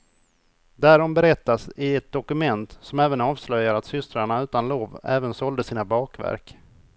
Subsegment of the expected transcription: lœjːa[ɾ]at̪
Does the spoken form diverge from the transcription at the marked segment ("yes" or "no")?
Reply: no